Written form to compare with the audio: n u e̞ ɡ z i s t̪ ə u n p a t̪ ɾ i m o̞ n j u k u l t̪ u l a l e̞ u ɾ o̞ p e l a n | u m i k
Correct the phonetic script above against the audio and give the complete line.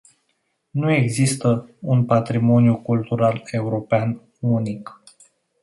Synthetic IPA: n u e̞ ɡ z i s t̪ ə u n p a t̪ ɾ i m o̞ n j u k u l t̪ u ɾ a l e̞ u ɾ o̞ p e a n | u n i k